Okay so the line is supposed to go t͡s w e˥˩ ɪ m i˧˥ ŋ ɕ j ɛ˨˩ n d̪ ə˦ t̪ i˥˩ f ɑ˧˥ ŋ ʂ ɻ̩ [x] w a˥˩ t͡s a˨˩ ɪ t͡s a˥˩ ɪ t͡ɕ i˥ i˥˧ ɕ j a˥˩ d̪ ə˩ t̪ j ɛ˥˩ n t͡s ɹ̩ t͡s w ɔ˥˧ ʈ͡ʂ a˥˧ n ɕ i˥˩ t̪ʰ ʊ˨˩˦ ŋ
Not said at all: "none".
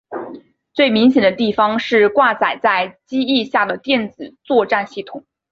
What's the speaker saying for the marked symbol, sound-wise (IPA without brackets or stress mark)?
k